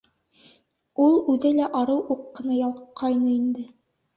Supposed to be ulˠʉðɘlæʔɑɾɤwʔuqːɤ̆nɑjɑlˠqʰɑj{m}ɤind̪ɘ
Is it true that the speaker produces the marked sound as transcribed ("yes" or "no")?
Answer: no